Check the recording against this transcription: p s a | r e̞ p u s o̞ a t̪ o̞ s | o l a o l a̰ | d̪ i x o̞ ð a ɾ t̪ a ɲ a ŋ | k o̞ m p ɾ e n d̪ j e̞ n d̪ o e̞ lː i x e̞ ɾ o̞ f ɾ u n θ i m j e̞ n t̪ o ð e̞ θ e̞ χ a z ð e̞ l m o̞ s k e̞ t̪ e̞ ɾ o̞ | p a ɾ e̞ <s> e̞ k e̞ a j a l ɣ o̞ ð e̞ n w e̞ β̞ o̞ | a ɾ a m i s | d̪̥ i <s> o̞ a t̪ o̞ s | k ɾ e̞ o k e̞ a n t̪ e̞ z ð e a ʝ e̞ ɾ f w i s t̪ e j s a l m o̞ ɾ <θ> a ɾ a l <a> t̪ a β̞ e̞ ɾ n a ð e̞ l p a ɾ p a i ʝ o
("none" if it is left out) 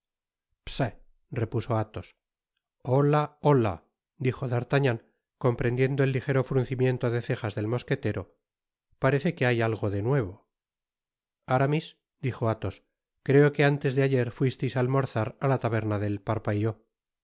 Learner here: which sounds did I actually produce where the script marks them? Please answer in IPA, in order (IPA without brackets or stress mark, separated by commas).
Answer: θ, x, θ, a